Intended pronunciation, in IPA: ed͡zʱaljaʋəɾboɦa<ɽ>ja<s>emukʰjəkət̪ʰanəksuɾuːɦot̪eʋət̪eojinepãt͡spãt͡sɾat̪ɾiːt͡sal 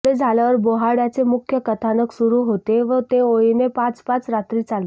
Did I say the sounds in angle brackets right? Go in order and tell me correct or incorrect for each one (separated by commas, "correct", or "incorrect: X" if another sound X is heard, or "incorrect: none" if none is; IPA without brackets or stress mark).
correct, incorrect: t͡s